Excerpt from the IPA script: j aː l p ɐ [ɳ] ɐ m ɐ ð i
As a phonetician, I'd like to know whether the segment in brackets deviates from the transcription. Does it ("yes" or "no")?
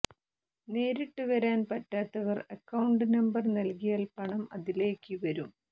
no